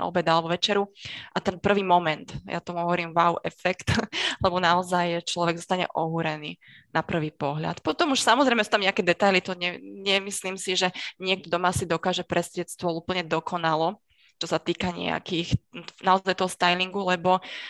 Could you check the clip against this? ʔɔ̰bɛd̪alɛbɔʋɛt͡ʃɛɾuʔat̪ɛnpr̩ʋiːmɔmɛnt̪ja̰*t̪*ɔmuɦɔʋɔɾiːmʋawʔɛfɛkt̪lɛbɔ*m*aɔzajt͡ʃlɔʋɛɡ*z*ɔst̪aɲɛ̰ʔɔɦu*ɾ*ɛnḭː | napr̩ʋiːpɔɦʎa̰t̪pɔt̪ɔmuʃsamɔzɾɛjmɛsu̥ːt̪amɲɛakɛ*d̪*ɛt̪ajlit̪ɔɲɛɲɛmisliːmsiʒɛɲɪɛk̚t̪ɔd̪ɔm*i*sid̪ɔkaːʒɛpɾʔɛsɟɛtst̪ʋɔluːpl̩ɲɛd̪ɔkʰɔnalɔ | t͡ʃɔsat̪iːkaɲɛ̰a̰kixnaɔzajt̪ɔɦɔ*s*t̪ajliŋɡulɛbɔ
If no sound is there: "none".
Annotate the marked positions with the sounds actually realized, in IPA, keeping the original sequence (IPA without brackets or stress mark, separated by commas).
t̪, n, z, ɾ, d̪, a, s